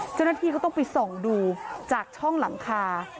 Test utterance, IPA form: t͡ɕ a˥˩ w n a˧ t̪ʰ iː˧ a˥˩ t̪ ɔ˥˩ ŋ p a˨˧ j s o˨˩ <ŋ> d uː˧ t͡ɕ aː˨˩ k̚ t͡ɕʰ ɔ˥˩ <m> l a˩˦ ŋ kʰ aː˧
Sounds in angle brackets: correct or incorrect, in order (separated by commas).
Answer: correct, incorrect